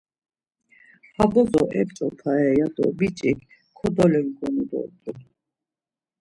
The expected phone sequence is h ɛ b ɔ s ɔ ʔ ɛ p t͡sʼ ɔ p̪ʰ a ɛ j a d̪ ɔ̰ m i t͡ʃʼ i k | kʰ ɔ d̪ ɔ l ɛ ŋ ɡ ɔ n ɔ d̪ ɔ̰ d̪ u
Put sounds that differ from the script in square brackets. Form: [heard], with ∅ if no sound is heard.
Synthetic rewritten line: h [a] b ɔ [z] ɔ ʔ ɛ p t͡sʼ ɔ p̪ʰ a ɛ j a d̪ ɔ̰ [b] i t͡ʃʼ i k | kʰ ɔ d̪ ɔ l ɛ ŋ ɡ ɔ n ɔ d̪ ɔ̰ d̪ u